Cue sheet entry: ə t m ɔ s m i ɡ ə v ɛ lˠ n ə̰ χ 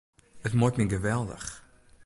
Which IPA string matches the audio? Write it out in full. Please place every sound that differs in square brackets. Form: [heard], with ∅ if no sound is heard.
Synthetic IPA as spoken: ə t m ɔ [t] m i ɡ ə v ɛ lˠ [d] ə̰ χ